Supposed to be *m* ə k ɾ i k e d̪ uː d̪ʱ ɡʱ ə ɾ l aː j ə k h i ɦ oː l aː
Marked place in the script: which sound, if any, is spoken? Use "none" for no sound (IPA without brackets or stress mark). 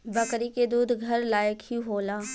b